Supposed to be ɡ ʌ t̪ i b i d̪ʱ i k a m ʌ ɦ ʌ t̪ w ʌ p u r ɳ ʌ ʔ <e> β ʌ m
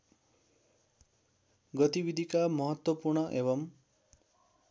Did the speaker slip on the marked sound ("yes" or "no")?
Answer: no